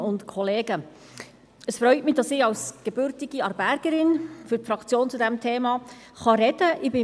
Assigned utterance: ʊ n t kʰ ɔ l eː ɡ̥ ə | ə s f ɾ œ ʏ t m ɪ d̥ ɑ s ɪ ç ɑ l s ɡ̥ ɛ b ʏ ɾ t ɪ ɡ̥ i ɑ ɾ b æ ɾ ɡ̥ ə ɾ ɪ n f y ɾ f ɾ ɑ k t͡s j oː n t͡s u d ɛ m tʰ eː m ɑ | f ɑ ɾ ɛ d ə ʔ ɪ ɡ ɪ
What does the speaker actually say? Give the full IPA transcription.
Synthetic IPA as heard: ʊ n t kʰ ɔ l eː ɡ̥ ə | ə s f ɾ œ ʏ t m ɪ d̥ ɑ s ɪ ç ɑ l s ɡ̥ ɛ b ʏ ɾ t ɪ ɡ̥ i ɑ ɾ b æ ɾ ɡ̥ ə ɾ ɪ n f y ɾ f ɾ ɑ k t͡s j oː n t͡s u d ɛ m tʰ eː m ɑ | χ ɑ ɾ ɛ d ə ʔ ɪ b ɪ